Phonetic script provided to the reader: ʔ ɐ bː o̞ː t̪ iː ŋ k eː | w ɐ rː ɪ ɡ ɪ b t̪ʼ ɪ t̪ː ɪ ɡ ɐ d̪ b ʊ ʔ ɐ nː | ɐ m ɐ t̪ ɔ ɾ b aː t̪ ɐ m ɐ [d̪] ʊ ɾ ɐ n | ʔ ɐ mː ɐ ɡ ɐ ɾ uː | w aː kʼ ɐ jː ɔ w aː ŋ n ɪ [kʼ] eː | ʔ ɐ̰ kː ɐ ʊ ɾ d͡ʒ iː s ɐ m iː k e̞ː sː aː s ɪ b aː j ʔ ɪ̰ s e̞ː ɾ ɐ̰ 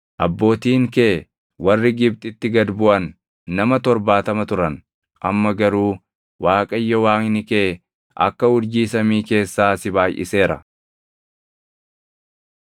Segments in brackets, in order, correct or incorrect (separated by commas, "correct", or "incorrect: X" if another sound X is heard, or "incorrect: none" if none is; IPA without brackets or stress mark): incorrect: t̪, incorrect: k